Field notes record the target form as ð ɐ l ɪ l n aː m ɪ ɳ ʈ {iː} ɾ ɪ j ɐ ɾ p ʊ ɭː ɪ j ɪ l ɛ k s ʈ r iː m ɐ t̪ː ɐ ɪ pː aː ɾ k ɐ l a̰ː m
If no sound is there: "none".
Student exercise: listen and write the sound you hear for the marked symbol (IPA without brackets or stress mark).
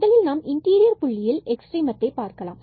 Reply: iː